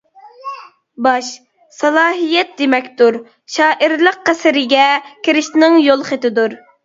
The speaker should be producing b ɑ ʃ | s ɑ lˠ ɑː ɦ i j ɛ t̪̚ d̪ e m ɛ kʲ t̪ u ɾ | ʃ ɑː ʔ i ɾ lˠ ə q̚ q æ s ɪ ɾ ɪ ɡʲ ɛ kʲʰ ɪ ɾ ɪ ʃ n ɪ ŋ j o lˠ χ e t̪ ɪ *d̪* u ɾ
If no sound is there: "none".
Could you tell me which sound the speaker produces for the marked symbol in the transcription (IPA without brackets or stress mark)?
d̪